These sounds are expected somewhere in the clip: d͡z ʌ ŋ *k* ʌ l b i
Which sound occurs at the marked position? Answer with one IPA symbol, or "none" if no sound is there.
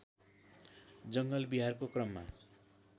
ɡ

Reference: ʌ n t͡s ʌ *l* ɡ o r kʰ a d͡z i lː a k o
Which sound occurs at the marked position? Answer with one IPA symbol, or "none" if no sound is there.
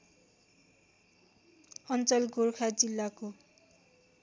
l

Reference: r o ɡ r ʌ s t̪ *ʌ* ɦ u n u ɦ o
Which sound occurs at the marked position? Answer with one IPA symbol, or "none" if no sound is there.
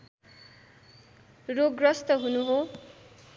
ʌ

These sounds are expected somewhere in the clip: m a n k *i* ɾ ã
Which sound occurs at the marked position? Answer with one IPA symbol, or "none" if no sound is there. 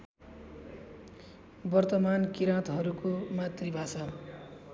i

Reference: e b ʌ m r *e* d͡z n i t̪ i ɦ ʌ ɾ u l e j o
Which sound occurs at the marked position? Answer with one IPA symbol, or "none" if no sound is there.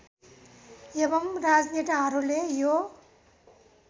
a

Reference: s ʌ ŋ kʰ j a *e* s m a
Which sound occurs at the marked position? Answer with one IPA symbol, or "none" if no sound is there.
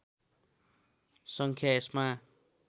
e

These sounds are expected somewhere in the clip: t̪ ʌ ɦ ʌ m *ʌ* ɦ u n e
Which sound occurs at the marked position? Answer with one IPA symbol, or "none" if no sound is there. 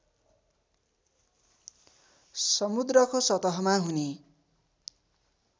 a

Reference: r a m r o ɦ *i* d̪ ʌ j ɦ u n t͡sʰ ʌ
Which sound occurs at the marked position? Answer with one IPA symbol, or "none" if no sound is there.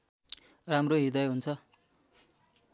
i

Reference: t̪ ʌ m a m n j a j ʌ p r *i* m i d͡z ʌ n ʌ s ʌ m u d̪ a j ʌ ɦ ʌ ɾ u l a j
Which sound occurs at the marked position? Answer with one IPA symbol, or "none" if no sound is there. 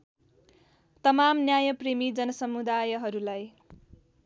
e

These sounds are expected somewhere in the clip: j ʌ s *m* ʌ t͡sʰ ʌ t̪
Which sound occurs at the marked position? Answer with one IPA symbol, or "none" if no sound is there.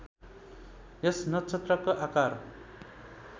n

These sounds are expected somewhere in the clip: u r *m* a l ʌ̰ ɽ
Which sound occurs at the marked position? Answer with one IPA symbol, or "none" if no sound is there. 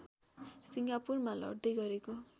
m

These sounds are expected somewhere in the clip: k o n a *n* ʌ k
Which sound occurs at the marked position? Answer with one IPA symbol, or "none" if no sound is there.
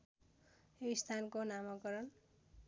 m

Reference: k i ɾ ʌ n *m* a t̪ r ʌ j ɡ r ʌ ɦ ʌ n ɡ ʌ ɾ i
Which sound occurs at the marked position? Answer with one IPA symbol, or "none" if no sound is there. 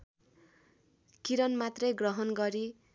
m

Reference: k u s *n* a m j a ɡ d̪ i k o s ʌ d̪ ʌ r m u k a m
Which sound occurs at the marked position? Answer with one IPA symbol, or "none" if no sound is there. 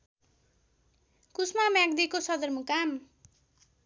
m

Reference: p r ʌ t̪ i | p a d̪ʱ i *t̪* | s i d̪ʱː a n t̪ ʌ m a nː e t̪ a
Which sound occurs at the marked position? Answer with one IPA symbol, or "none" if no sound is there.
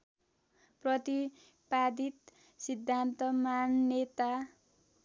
t̪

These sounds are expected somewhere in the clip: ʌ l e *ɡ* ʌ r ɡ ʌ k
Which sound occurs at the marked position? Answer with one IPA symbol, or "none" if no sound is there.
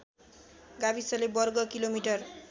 b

